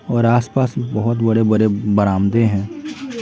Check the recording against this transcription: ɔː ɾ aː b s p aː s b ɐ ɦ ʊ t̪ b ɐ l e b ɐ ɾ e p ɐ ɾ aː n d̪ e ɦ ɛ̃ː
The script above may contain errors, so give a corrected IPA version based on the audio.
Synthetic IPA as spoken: ɔː ɾ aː s p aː s b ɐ ɦ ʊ t̪ b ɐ ɽ e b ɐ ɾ e b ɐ ɾ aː m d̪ e ɦ ɛ̃ː

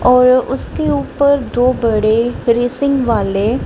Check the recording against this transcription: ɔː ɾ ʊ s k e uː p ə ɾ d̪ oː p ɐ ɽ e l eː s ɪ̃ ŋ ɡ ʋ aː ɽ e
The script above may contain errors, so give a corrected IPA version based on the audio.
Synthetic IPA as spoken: ɔː ɾ ʊ s k e uː p ə ɾ d̪ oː b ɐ ɽ e ɾ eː s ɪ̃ ŋ ɡ ʋ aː l e

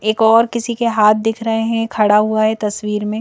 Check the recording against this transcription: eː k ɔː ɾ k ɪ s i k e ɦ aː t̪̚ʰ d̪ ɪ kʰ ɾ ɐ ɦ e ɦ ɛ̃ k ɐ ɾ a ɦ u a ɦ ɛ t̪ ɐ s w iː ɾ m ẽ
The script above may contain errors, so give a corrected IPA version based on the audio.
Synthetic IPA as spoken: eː k ɔː ɾ k ɪ s i k e ɦ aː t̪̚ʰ d̪ ɪ kʰ ɾ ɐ ɦ e ɦ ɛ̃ kʰ ɐ ɽ a ɦ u a ɦ ɛ t̪ ɐ s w iː ɾ m ẽ

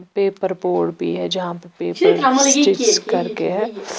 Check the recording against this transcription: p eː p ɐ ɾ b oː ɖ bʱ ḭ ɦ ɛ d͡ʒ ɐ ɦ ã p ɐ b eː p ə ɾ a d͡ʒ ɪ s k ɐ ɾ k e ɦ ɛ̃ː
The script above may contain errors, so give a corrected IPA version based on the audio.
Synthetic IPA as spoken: p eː p ə ɾ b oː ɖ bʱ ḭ ɦ ɛ d͡ʒ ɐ ɦ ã p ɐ p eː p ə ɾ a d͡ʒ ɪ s k ɐ ɾ k e ɦ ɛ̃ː

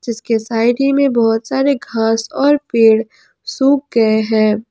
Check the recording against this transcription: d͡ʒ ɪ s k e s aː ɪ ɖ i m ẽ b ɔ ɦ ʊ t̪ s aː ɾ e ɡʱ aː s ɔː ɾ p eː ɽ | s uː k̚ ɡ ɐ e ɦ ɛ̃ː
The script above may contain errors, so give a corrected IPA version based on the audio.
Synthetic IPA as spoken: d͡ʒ ɪ s k e s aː ɪ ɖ i m ẽ b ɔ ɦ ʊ t̪ s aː ɾ e ɡʱ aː s ɔː ɾ p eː ɽ | s uː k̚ ɡ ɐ e ɦ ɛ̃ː

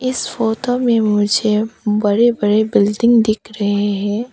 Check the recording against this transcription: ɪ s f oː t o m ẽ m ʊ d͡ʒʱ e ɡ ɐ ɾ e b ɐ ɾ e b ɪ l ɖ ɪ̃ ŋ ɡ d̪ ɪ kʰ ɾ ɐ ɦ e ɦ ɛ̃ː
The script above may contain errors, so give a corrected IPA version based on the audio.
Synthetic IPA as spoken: ɪ s f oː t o m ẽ m ʊ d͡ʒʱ e b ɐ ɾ e b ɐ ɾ e b ɪ l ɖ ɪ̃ ŋ ɡ d̪ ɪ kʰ ɾ ɐ ɦ e ɦ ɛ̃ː

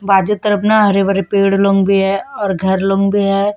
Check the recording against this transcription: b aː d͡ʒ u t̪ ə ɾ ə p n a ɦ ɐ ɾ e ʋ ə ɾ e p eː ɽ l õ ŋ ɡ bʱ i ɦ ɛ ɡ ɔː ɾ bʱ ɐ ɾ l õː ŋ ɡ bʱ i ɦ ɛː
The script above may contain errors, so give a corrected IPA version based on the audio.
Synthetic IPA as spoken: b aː d͡ʒ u t̪ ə ɾ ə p n a ɦ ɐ ɾ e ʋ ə ɾ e p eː ɽ l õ ŋ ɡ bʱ i ɦ ɛ ɔː ɾ ɡʱ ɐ ɾ l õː ŋ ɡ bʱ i ɦ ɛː

